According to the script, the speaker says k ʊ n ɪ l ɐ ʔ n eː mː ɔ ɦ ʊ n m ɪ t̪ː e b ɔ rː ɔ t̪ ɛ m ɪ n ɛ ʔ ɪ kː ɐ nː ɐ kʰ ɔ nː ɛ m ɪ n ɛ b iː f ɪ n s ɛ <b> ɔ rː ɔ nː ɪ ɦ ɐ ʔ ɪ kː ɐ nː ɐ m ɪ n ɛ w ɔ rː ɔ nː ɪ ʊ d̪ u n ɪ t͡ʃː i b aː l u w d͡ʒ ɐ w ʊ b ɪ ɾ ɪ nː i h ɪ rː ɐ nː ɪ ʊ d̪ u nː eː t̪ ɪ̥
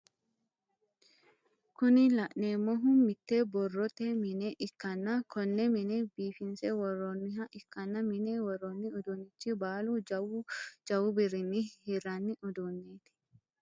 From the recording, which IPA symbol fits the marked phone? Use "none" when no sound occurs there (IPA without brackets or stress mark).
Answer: w